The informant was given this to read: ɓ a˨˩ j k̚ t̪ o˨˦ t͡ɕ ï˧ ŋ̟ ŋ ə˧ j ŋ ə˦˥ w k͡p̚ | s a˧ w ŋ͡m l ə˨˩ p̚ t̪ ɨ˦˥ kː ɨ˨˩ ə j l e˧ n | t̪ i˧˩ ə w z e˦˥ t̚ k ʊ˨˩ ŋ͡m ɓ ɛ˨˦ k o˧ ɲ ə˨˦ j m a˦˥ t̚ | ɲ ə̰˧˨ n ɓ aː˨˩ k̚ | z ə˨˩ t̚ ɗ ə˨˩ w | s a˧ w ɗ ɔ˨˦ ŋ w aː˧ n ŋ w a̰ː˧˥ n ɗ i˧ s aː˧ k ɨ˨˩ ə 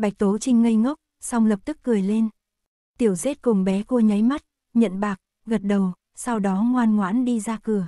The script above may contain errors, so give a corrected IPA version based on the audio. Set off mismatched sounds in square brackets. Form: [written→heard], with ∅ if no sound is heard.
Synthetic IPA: ɓ a˨˩ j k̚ t̪ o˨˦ t͡ɕ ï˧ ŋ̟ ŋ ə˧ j ŋ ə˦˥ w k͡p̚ | s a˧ w ŋ͡m l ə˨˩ p̚ t̪ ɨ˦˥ kː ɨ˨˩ ə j l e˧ n | t̪ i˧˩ ə w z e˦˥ t̚ k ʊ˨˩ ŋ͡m ɓ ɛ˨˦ k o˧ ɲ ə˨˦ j m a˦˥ t̚ | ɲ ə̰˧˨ n ɓ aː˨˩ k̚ | [z→ɣ] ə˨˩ t̚ ɗ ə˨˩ w | s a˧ w ɗ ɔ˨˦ ŋ w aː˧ n ŋ w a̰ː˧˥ n ɗ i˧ [s→z] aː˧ k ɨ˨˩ ə